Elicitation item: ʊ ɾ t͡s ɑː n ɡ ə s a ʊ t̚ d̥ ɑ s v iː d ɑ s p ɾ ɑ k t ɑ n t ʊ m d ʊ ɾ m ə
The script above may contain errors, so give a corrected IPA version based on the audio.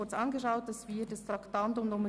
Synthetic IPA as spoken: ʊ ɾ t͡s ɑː n ɡ ə ʃ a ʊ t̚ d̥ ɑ s v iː d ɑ s t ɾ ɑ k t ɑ n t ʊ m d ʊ m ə